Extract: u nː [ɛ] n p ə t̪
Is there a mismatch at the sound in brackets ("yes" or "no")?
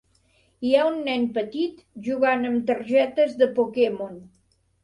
no